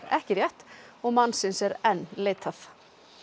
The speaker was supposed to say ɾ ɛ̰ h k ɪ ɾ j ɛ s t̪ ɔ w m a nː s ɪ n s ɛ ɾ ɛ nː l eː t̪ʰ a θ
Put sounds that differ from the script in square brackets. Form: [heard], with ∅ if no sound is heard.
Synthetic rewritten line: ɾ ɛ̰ h [c] ɪ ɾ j ɛ [h] t̪ ɔ [ɣ] m a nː s ɪ n s ɛ ɾ ɛ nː l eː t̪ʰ a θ